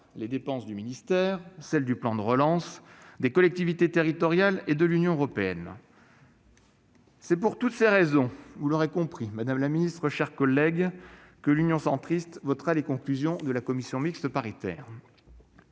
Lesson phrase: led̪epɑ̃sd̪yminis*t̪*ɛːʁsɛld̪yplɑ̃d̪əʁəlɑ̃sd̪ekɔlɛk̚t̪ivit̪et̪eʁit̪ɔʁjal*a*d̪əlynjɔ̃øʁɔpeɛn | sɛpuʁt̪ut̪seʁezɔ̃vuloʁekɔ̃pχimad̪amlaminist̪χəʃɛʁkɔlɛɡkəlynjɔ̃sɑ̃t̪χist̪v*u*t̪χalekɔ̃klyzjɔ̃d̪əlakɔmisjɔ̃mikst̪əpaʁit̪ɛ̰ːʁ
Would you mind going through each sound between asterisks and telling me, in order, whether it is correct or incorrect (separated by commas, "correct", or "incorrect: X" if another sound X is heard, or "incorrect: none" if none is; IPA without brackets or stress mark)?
correct, incorrect: e, incorrect: ɔ